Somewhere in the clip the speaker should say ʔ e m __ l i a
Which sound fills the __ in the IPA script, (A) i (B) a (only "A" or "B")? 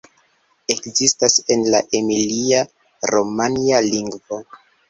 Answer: A